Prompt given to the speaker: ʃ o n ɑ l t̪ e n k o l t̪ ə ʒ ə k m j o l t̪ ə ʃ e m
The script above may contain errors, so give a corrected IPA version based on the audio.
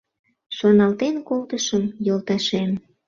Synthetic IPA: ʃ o n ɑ l t̪ e n k o l t̪ ə ʃ ə m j o l t̪ ɑ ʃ e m